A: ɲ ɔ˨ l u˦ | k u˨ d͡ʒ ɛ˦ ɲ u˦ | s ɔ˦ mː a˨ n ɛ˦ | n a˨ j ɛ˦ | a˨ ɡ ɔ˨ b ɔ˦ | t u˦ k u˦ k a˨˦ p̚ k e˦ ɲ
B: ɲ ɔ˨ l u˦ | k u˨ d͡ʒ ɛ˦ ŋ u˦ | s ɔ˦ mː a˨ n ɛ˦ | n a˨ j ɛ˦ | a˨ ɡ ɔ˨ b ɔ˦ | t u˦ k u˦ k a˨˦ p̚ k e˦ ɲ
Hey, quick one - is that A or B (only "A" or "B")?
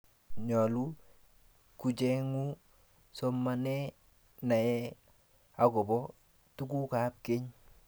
B